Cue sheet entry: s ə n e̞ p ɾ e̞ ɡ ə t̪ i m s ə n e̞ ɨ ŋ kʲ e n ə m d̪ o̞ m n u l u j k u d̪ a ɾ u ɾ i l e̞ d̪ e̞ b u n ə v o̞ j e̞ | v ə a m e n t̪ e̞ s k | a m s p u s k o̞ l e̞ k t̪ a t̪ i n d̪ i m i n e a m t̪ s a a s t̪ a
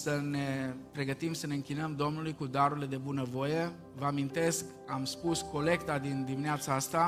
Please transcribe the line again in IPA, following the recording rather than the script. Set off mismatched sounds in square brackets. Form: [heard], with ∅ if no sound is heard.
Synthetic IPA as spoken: s ə n e̞ p ɾ e̞ ɡ ə t̪ i m s ə n e̞ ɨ ŋ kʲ [i] n ə m d̪ o̞ m n u l u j k u d̪ a ɾ u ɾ i l e̞ d̪ e̞ b u n ə v o̞ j e̞ | v ə a m [i] n t̪ e̞ s k | a m s p u s k o̞ l e̞ k t̪ a [d̪] i n d̪ i m i n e a [∅] t̪ s a a s t̪ a